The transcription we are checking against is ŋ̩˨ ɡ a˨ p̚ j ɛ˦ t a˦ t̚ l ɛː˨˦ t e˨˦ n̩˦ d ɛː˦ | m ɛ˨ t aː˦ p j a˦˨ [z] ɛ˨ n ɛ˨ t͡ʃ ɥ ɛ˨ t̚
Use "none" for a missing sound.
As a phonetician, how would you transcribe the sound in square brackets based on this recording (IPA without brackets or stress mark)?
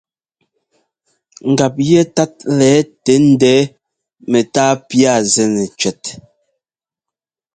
z